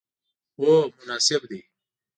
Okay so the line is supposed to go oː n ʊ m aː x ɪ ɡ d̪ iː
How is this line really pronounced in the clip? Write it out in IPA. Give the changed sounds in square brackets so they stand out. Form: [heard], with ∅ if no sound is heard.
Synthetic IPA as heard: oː [m] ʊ [n] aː [s] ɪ [b] d̪ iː